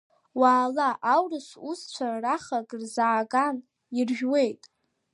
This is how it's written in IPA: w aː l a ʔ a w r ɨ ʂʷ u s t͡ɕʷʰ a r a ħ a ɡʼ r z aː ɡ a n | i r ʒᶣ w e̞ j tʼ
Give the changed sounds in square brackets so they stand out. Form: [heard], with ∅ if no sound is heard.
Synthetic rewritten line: w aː l a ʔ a w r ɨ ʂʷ u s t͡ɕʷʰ a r a [χ] a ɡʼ r z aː ɡ a n | i r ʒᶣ w e̞ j tʼ